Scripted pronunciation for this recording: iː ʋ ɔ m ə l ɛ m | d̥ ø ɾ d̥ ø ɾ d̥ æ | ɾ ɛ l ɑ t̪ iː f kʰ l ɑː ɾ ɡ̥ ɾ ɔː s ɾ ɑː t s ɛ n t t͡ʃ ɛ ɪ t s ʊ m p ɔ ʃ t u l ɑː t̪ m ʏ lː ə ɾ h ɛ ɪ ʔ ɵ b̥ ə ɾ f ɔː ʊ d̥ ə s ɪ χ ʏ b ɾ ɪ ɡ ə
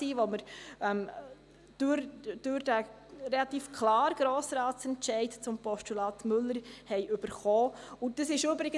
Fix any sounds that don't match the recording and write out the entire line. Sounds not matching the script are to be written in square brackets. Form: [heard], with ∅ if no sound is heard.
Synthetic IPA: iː ʋ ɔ m ə [ɾ] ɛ m | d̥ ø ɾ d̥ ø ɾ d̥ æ | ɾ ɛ l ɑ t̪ iː f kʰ l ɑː ɾ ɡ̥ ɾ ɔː s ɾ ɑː t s ɛ n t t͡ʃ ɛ ɪ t [t͡s] ʊ m p ɔ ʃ t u l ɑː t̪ m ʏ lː ə ɾ h ɛ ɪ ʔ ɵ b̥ ə ɾ [χ] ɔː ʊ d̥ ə s ɪ [ʃ] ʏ b ɾ ɪ ɡ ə